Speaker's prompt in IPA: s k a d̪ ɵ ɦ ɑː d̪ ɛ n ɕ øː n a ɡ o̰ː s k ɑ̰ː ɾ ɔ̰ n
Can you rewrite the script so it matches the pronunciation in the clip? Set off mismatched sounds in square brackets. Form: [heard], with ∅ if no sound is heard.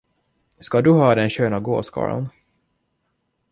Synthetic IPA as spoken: s k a d̪ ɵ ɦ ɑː d̪ ɛ n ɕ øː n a ɡ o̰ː s k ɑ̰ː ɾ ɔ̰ n

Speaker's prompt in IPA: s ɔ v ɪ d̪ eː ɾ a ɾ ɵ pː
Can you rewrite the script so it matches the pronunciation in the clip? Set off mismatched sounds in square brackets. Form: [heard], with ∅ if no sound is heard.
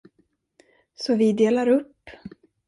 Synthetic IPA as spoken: s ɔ v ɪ d̪ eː [l] a ɾ ɵ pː

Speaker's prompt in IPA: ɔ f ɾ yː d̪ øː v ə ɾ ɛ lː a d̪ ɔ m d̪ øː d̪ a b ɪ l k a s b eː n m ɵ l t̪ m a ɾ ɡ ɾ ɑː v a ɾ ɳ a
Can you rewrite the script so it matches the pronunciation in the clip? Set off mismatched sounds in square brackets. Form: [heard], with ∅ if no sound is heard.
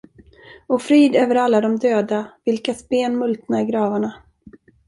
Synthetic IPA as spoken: ɔ f ɾ [iː] d̪ øː v ə ɾ [a] lː a d̪ ɔ m d̪ øː d̪ a [v] ɪ l k a s b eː n m ɵ l t̪ [n] a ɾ ɡ ɾ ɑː v a [∅] ɳ a

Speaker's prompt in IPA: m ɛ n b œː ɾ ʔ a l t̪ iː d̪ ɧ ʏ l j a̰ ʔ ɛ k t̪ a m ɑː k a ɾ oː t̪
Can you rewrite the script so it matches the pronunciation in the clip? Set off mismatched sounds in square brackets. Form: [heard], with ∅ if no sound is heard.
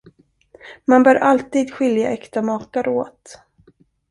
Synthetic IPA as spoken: m [a] n b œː ɾ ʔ a l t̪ iː d̪ ɧ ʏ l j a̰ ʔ ɛ k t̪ a m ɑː k a ɾ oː t̪

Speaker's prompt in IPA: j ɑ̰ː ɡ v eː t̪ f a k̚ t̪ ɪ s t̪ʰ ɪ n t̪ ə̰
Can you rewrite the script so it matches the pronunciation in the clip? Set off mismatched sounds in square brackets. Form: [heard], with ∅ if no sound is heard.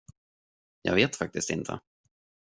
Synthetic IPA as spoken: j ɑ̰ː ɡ v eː t̪ f a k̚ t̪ ɪ s [t̪] ɪ n [t̪ʰ] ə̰

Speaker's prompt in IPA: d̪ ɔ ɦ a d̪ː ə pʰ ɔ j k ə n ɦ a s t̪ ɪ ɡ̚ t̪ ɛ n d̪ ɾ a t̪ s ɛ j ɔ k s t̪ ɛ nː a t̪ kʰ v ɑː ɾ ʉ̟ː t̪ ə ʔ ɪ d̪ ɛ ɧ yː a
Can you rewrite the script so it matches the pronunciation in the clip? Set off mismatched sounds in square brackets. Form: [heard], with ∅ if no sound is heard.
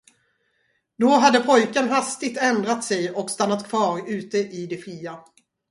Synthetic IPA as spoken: d̪ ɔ ɦ a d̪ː ə pʰ ɔ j k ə n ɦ a s t̪ ɪ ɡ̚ t̪ ɛ n d̪ ɾ a t̪ s ɛ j ɔ k s t̪ [a] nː a t̪ kʰ v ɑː ɾ ʉ̟ː t̪ ə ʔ ɪ d̪ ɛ ɧ [iː] a

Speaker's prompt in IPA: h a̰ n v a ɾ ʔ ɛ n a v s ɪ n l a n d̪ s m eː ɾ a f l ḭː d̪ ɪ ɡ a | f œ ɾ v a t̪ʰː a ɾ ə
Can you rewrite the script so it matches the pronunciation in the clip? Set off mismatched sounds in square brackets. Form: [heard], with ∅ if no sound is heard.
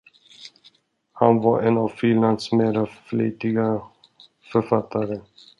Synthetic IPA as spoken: h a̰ n v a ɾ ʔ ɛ n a v [f] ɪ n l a n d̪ s m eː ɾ a f l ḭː [t̪] ɪ ɡ a | f œ ɾ [f] a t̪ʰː a ɾ ə

